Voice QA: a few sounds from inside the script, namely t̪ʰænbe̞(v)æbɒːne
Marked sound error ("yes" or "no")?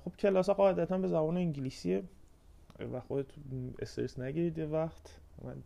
yes